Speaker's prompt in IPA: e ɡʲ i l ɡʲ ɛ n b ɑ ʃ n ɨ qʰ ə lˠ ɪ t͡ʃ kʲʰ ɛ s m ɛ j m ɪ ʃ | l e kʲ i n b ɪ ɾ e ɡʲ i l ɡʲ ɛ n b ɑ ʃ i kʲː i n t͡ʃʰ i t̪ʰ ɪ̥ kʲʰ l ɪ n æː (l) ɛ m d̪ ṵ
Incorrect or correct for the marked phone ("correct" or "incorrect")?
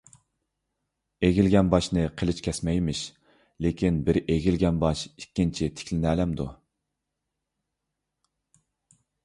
correct